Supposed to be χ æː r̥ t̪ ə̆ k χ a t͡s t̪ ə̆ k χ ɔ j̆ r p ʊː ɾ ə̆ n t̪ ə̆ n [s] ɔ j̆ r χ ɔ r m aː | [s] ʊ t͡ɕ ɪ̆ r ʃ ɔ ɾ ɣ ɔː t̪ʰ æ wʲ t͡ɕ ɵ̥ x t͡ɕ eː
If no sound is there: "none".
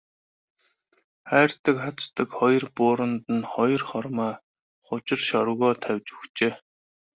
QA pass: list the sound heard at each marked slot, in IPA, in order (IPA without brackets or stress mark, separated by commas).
χ, χ